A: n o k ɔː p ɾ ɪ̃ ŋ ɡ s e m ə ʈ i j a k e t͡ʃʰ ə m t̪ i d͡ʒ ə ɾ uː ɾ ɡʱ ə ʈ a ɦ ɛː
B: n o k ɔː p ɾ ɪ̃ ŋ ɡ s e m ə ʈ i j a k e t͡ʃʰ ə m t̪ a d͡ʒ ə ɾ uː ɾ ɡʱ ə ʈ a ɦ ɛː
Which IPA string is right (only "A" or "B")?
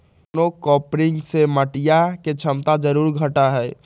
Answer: B